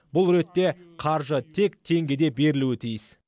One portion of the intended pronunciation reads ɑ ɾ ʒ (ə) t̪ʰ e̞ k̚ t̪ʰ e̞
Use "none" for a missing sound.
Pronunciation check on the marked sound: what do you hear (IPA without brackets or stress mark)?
ə